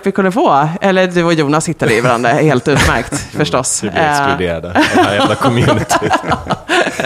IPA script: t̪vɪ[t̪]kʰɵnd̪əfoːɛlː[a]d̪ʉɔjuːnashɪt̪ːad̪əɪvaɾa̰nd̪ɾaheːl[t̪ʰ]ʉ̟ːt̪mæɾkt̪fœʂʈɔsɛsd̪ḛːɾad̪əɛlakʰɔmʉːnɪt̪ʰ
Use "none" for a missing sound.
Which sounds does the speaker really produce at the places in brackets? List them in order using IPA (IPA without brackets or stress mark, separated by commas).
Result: none, ə, t̪